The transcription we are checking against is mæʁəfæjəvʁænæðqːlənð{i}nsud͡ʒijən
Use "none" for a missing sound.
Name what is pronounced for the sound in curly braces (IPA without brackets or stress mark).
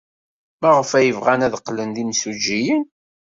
i